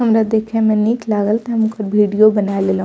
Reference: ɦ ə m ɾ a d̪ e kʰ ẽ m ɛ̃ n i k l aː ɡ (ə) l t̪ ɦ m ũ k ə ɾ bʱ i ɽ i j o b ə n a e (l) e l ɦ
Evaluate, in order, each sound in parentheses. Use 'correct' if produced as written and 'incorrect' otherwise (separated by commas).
correct, correct